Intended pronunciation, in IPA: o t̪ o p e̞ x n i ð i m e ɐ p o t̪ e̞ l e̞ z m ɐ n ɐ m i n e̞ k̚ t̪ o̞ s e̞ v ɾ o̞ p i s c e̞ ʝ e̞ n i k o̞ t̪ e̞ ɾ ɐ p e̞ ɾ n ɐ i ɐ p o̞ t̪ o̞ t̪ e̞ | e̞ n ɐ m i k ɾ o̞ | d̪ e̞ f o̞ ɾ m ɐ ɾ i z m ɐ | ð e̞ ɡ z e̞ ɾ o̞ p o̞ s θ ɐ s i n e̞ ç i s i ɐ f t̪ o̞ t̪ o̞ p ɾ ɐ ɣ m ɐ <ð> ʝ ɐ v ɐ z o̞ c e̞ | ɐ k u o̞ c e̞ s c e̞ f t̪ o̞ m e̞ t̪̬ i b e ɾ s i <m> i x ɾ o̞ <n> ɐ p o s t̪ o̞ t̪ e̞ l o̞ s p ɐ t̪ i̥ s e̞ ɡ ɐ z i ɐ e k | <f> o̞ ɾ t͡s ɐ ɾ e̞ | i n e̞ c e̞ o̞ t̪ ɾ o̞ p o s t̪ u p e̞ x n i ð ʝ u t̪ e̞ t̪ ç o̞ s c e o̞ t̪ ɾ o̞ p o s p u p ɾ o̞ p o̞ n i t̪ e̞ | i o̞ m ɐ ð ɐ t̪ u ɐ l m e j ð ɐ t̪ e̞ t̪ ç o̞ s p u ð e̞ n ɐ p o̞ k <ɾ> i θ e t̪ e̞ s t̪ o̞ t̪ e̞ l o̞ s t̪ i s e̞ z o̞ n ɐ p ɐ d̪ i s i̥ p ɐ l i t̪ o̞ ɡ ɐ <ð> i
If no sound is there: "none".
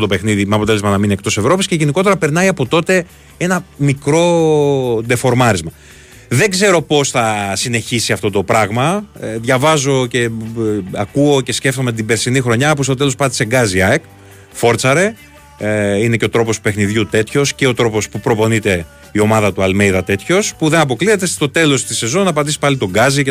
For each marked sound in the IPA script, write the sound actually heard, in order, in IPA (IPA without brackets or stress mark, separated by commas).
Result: ð, n, ɲ, f, l, z